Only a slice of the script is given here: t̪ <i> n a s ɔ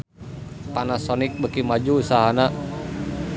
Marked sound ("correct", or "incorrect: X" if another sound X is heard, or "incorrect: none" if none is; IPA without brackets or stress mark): incorrect: a